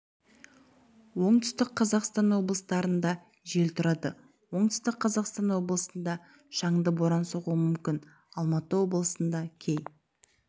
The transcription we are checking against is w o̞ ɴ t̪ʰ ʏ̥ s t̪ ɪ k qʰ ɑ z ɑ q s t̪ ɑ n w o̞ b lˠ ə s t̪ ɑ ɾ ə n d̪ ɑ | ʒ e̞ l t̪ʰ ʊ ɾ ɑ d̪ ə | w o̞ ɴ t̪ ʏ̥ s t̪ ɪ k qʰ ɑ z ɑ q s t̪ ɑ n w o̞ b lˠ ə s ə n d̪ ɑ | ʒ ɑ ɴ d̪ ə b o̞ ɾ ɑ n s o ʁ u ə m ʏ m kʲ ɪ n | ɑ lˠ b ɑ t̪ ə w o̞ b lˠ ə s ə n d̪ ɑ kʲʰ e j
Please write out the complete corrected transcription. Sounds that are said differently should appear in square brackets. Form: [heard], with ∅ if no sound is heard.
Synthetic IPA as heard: w o̞ ɴ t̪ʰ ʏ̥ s t̪ ɪ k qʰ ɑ z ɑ q s t̪ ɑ n w o̞ b lˠ ə s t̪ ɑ ɾ ə n d̪ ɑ | ʒ e̞ l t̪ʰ ʊ ɾ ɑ d̪ ə | w o̞ ɴ t̪ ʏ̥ s t̪ ɪ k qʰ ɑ z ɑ q s t̪ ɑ n w o̞ b lˠ ə s ə n d̪ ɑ | [ʃ] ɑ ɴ d̪ ə b o̞ ɾ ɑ n s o ʁ u ə m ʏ m kʲ ɪ n | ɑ lˠ [m] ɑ t̪ ə w o̞ b lˠ ə s ə n d̪ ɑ kʲʰ e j